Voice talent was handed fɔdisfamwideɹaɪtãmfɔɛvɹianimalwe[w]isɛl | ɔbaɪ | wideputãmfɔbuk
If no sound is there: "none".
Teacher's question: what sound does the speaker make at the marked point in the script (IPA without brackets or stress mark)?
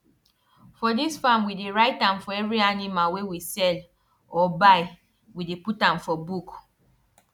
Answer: w